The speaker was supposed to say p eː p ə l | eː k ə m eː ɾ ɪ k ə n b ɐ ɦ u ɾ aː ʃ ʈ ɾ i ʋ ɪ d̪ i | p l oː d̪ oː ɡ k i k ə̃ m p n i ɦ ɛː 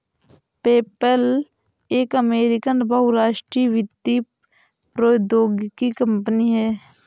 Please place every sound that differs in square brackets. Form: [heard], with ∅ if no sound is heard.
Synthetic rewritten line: p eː p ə l | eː k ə m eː ɾ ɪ k ə n b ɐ ɦ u ɾ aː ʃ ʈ ɾ i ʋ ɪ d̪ i | p [ɾ] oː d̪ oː ɡ k i k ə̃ m p n i ɦ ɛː